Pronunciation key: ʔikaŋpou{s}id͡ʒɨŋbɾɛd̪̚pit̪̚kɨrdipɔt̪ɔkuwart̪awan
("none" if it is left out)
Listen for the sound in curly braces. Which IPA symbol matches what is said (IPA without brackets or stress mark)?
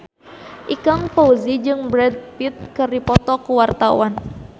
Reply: z